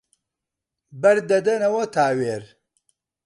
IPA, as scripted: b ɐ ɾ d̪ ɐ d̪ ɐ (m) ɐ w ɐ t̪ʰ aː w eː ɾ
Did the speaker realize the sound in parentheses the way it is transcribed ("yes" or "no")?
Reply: no